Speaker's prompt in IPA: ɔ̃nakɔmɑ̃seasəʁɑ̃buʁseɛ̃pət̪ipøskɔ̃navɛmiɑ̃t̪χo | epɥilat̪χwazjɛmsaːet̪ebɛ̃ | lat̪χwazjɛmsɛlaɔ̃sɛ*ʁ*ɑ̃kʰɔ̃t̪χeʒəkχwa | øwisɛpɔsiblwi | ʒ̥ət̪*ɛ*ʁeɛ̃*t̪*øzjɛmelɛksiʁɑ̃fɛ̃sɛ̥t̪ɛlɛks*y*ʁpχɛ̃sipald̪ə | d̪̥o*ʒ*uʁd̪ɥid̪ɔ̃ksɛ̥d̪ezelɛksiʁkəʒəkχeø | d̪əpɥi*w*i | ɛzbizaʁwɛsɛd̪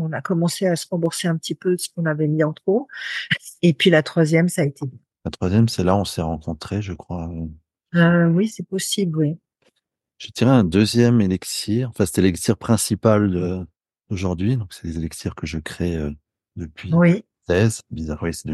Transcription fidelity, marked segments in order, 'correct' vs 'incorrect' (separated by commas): correct, incorrect, incorrect, incorrect, correct, correct